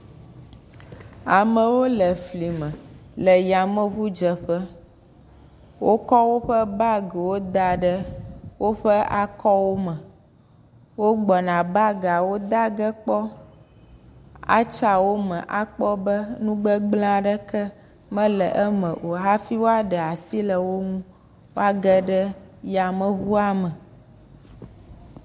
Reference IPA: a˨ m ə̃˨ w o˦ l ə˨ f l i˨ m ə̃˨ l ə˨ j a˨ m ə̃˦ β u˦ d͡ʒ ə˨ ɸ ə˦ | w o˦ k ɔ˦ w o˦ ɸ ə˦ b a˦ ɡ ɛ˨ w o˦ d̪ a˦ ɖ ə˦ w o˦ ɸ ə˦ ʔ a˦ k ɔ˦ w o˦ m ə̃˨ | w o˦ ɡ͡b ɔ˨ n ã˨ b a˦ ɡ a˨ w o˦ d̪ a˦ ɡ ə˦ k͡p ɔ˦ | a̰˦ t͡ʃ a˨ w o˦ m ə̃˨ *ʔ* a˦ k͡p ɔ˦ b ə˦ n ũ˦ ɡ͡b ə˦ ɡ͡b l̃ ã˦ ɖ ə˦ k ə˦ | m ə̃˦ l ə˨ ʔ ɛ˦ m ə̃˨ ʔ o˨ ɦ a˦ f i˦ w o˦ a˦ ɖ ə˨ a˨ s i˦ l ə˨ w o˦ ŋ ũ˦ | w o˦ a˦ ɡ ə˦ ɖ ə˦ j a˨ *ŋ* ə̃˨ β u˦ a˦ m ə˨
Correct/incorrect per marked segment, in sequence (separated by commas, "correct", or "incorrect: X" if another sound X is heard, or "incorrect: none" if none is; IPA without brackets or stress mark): correct, incorrect: m